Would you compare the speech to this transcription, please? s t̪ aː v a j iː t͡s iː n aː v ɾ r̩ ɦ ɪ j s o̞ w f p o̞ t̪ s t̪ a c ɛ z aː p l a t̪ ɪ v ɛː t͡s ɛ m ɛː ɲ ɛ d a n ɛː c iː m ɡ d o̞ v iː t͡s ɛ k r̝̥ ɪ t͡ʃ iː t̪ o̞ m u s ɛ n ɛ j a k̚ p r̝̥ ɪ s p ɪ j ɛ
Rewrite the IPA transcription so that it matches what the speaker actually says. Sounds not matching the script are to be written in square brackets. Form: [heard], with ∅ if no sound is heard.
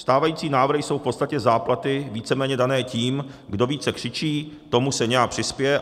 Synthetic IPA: s t̪ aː v a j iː t͡s iː n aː v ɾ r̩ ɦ ɪ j s o̞ w f p o̞ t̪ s t̪ a c ɛ z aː p l a t̪ ɪ v [iː] t͡s ɛ m ɛː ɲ ɛ d a n ɛː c iː m ɡ d o̞ v iː t͡s ɛ k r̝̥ ɪ t͡ʃ iː t̪ o̞ m u s ɛ [ɲ] ɛ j a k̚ p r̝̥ ɪ s p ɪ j ɛ